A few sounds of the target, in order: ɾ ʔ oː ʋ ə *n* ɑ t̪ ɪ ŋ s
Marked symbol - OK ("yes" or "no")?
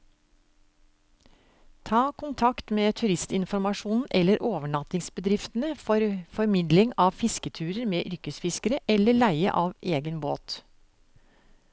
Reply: no